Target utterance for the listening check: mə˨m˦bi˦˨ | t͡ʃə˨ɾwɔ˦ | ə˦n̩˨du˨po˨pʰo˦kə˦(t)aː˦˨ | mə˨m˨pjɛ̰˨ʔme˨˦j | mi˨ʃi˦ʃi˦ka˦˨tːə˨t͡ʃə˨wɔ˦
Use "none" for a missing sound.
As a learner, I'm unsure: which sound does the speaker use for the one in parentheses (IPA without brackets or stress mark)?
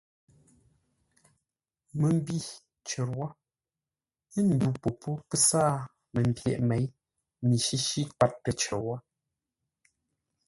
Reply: s